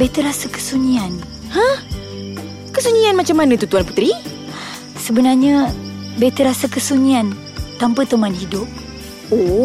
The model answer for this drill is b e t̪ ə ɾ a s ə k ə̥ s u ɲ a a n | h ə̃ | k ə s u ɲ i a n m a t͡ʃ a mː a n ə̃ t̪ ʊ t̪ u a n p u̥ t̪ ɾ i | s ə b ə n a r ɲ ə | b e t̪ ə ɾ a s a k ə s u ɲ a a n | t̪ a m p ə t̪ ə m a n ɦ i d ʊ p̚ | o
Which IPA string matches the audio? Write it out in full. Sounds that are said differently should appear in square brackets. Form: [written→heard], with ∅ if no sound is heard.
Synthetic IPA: b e t̪ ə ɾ a s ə k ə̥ s u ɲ [a→i] a n | h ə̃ | k ə s u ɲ i a n m a t͡ʃ a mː a n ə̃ t̪ [ʊ→u] t̪ u a n p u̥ t̪ ɾ i | s ə b ə n a r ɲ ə | b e t̪ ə ɾ a s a k ə s u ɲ [a→i] a n | t̪ a m p ə t̪ ə m a n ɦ i d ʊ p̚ | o